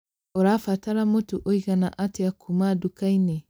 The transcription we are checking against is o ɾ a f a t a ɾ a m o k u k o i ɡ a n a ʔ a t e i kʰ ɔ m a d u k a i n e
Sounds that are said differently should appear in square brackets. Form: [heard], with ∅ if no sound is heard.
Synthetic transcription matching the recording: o ɾ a f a t a ɾ a m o [t] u [ʔ] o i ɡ a n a ʔ a t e [a] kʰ [u] m a d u k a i n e